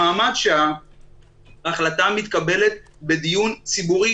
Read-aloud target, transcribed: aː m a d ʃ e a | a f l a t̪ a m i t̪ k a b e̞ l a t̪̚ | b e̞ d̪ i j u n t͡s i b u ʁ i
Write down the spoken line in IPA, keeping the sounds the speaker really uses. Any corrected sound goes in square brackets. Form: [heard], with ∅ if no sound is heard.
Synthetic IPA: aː m a d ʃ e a | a [χ] l a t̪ a m i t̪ k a b e̞ l [e] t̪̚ | b e̞ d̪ i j u n t͡s i b u ʁ i